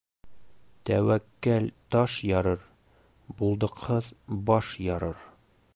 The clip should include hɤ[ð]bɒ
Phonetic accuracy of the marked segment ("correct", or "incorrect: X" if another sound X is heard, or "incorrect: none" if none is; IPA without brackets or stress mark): correct